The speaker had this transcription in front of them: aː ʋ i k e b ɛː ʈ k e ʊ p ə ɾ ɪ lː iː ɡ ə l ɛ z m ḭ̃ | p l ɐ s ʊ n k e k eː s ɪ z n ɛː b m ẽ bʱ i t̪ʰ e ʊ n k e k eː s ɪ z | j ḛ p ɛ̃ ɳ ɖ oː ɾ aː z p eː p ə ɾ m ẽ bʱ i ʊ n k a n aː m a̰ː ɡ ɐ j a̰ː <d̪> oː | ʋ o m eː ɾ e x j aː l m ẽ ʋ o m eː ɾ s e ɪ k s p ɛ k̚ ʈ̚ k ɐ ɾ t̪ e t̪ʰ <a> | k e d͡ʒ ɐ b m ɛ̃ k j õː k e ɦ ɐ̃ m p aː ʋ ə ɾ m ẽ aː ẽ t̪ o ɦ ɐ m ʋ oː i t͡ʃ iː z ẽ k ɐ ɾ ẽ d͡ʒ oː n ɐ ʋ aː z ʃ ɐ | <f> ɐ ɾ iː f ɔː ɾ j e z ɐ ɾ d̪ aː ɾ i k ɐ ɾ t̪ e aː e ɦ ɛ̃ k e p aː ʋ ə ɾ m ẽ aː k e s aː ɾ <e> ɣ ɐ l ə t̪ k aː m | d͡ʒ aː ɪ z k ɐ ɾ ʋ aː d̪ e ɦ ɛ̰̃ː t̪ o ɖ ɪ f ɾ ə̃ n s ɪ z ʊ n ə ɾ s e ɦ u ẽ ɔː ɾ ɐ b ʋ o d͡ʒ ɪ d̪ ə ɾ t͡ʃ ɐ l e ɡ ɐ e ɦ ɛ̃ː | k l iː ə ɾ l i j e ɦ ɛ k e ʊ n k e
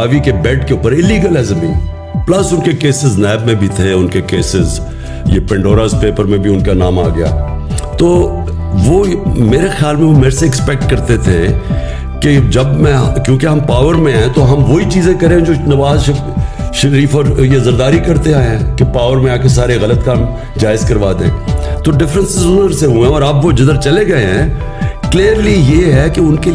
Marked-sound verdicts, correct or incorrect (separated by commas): incorrect, incorrect, incorrect, correct